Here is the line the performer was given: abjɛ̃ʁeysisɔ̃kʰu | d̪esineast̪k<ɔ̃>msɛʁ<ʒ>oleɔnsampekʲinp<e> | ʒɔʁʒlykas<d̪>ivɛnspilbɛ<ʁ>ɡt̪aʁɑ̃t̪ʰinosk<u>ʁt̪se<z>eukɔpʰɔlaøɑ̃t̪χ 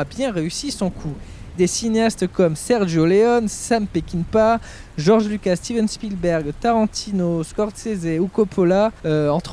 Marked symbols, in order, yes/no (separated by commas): no, yes, no, no, yes, no, yes